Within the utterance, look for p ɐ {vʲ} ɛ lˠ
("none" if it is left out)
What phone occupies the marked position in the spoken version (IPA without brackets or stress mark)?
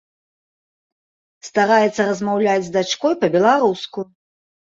bʲ